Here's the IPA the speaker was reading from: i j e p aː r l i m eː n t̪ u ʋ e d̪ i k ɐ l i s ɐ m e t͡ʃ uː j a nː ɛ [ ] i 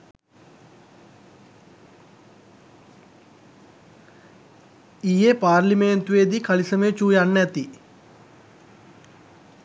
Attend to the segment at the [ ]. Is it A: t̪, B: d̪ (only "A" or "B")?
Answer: A